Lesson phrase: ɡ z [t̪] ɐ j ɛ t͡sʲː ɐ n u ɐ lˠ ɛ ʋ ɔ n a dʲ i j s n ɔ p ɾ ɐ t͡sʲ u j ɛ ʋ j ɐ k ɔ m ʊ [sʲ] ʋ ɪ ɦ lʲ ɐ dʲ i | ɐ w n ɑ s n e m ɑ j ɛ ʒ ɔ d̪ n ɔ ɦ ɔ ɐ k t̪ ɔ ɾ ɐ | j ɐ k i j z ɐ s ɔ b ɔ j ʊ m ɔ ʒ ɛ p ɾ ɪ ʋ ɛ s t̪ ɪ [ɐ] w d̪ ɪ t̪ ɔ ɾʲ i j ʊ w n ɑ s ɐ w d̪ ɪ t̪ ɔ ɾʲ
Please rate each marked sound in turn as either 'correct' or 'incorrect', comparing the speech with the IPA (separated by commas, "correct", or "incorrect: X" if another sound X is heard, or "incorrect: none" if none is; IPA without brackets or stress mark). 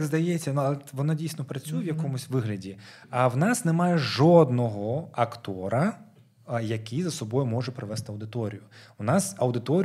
incorrect: d̪, correct, correct